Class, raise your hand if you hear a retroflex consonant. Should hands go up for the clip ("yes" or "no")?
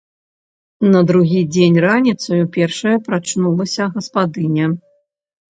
yes